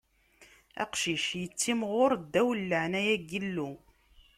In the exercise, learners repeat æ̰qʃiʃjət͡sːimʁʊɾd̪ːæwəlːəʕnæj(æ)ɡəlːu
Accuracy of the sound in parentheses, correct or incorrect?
correct